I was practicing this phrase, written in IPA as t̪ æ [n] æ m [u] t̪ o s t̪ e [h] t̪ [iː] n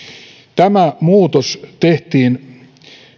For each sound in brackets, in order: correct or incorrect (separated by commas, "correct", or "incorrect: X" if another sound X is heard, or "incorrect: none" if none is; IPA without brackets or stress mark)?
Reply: incorrect: m, incorrect: uː, correct, correct